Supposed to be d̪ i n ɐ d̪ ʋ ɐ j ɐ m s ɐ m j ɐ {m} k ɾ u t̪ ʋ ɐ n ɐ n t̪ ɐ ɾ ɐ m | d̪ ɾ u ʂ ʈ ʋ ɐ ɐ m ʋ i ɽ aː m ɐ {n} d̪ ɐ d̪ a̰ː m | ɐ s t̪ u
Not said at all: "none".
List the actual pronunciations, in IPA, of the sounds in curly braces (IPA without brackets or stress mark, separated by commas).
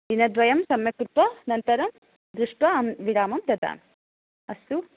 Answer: none, m